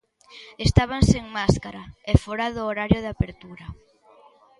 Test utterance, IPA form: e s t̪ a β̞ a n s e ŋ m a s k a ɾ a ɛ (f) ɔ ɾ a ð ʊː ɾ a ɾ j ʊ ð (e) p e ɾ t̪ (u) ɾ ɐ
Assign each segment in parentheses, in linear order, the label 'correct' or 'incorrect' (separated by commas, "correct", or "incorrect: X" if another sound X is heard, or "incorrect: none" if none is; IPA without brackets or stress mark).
correct, incorrect: a, correct